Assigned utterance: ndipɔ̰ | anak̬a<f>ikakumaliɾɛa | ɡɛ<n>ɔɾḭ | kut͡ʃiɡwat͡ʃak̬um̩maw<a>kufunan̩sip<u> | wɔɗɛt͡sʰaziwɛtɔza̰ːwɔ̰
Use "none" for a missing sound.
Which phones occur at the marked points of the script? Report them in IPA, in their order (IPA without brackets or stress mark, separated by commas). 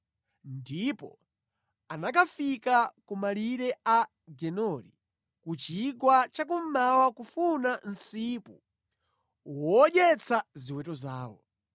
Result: f, n, a, u